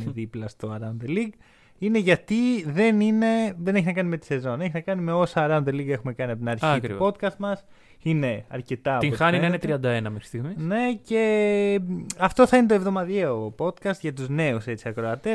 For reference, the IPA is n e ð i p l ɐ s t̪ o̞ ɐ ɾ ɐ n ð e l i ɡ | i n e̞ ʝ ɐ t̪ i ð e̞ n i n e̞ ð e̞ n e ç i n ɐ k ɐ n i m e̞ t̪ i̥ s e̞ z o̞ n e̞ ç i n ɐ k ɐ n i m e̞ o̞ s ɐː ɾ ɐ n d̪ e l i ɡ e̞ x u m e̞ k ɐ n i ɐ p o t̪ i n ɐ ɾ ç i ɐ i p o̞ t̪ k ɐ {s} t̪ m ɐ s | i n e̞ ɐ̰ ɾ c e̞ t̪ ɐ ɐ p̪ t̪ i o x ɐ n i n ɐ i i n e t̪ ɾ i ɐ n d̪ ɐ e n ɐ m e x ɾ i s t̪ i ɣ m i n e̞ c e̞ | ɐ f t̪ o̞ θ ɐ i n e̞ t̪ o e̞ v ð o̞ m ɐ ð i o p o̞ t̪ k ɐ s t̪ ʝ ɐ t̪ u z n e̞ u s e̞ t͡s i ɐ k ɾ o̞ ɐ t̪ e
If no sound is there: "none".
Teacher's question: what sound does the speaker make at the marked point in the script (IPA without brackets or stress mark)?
s